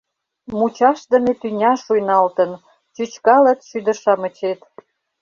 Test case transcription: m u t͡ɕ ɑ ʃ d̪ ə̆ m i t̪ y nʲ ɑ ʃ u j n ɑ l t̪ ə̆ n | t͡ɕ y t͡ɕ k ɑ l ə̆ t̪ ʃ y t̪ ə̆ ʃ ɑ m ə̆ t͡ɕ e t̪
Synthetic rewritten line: m u t͡ɕ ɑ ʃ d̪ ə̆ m e t̪ y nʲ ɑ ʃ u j n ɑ l t̪ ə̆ n | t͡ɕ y t͡ɕ k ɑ l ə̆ t̪ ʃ y d̪ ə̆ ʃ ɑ m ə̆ t͡ɕ e t̪